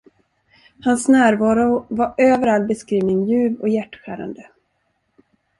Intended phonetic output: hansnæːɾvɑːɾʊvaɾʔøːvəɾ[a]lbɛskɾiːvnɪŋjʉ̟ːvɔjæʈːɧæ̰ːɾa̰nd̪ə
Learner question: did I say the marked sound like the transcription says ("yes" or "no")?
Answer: yes